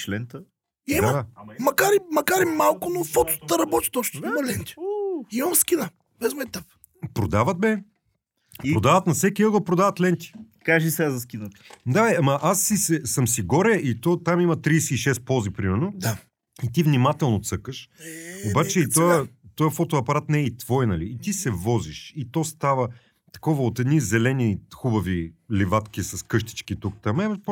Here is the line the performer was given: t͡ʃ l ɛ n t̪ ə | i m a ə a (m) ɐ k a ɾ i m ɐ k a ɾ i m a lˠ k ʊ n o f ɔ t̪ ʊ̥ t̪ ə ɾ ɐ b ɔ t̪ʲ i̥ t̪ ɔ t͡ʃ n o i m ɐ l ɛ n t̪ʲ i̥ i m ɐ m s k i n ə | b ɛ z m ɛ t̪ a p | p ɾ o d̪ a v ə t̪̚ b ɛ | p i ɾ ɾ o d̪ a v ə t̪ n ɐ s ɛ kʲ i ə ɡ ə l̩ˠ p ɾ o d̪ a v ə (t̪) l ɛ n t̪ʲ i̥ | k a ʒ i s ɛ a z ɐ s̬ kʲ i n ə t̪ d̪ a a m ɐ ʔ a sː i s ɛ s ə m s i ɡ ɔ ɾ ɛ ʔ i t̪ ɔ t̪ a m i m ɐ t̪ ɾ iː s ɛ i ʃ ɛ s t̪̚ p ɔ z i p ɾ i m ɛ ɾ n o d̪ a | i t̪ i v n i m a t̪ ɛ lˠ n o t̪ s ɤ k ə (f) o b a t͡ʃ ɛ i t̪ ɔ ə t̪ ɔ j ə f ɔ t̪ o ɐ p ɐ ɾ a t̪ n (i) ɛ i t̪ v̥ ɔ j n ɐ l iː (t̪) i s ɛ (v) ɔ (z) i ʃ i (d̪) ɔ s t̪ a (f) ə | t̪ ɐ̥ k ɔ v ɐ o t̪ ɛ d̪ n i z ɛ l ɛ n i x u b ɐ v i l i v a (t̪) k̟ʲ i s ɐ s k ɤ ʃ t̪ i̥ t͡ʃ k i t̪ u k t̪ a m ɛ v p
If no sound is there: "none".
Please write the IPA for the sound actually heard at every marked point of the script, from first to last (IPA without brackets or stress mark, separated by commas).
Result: m, t̪, ʃ, ɛ, t̪, v, z, t̪, v, t̪